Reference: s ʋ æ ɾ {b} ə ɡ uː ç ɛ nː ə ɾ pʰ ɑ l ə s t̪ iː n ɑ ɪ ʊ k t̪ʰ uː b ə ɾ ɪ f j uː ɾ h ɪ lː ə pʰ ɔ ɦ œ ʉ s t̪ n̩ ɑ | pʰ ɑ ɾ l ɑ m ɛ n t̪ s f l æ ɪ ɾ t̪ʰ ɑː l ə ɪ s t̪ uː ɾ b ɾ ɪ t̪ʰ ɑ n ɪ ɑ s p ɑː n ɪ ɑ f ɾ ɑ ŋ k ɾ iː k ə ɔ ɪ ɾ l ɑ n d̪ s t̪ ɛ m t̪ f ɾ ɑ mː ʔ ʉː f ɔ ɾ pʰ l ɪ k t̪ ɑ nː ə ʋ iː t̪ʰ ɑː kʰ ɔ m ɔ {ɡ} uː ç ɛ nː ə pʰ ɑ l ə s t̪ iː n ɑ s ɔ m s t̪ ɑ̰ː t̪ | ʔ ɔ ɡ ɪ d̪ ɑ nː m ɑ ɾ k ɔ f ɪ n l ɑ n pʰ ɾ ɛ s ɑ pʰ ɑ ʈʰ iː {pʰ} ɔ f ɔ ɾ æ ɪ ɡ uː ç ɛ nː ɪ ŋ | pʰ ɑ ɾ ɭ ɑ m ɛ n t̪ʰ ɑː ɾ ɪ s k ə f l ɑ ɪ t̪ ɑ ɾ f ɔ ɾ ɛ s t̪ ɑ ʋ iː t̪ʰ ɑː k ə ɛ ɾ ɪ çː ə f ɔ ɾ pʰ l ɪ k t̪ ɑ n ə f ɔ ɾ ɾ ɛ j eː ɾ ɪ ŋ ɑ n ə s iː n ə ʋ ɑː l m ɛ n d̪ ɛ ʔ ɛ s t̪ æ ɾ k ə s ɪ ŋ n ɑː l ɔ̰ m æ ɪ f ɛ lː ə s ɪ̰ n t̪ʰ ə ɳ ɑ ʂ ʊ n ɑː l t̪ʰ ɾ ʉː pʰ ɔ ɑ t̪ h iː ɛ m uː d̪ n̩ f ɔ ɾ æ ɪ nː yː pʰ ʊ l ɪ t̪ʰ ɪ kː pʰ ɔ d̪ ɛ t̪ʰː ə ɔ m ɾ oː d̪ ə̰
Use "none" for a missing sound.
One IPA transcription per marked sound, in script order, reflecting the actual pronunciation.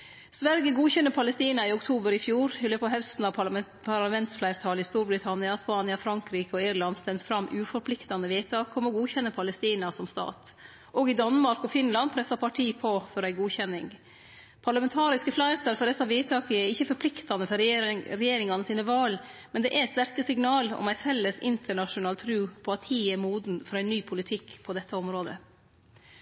ɡ, ɡ, pʰ

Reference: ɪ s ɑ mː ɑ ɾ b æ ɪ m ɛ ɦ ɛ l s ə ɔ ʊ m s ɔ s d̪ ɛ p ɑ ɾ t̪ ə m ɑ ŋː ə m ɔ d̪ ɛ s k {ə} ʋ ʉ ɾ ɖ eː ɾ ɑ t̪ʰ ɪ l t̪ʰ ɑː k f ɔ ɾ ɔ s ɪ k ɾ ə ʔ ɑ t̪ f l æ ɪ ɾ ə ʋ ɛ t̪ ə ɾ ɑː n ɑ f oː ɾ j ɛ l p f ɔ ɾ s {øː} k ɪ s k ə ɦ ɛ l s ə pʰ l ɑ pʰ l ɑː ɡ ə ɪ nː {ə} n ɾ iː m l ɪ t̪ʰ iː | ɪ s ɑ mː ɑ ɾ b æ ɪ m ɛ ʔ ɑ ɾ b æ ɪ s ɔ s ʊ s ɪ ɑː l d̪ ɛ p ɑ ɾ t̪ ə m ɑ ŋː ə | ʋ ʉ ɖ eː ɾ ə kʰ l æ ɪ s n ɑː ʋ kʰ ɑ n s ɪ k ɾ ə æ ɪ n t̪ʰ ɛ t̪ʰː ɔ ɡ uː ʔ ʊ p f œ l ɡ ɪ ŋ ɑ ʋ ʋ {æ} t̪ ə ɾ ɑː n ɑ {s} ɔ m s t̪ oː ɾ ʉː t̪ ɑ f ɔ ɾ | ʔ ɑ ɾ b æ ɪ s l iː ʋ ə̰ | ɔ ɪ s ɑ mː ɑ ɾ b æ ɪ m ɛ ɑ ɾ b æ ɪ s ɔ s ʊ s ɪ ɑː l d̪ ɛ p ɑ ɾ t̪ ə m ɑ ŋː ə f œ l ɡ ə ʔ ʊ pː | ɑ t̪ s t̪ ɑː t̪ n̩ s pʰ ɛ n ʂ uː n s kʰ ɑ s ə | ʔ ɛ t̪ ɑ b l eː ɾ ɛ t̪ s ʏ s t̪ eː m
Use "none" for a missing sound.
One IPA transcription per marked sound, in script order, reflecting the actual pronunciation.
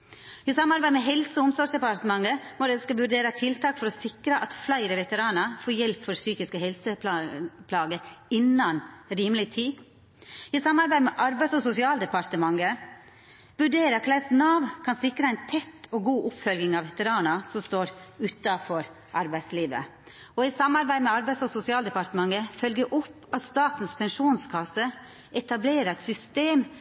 ɑ, yː, ɑ, ɛ, s

